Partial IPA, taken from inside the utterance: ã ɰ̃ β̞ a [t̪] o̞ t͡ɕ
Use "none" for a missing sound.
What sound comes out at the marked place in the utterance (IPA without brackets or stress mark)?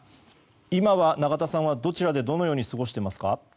d̪